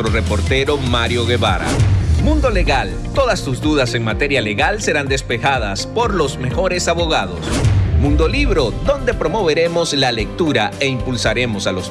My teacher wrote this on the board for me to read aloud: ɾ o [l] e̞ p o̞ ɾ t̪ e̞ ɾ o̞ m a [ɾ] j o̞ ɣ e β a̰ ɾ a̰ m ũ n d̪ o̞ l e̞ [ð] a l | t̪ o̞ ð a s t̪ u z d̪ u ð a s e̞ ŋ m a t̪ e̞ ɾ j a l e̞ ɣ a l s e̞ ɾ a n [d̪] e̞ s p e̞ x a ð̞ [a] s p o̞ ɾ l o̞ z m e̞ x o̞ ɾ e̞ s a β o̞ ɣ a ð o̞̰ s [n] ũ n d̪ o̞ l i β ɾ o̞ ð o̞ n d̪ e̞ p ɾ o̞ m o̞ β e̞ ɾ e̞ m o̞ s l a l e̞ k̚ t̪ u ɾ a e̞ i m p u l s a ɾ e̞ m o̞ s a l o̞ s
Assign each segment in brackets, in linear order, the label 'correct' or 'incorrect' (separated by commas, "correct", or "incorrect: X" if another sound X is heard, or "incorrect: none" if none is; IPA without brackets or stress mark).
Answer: incorrect: r, correct, incorrect: ɣ, correct, correct, incorrect: m